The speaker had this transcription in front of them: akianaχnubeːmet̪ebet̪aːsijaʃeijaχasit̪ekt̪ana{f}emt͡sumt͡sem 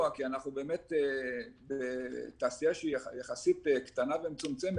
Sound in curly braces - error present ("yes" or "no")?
yes